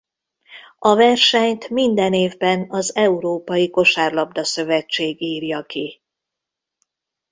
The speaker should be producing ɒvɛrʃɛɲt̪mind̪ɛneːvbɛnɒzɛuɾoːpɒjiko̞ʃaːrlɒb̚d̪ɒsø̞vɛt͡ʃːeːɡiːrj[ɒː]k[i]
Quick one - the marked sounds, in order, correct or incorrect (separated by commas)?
incorrect, correct